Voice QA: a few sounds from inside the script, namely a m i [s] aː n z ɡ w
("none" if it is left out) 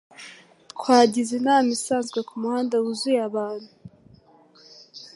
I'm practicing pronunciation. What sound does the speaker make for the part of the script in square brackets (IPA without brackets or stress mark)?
s